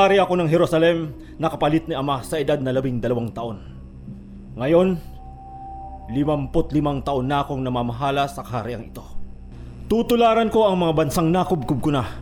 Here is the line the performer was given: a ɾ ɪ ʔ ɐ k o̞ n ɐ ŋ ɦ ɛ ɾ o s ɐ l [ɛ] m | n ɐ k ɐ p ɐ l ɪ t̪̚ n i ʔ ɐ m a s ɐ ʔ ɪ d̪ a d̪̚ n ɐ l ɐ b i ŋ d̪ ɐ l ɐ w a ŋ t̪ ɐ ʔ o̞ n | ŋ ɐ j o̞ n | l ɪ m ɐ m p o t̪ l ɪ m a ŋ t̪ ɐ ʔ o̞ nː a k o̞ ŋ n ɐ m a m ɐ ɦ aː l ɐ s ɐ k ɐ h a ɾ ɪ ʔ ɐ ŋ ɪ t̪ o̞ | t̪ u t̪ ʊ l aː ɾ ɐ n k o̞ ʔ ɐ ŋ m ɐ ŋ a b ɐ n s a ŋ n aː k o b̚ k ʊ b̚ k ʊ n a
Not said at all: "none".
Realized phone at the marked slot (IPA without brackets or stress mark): ɛ